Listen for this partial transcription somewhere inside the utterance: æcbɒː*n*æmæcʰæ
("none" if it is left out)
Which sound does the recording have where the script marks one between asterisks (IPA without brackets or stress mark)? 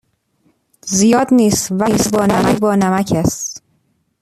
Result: n